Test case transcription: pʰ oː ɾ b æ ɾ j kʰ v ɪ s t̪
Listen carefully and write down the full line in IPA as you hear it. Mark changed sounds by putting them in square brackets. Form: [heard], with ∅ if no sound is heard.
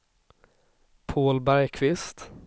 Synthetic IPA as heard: pʰ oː [l] b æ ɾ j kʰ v ɪ s t̪